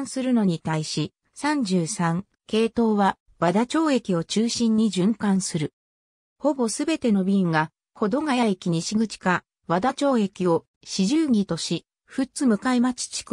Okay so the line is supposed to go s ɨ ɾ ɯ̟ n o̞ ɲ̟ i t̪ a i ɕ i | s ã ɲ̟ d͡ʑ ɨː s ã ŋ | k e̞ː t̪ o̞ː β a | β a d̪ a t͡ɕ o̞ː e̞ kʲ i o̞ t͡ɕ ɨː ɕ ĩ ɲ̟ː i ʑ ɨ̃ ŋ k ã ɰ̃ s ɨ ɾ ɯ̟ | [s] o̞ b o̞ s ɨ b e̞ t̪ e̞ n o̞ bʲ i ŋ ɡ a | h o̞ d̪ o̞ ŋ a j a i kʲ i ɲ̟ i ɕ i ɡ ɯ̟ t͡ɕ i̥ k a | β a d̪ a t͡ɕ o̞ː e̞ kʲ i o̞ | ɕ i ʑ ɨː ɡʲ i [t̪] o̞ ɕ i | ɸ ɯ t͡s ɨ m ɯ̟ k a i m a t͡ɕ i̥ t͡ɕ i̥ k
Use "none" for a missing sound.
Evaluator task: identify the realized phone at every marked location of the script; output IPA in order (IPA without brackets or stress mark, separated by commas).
h, t̪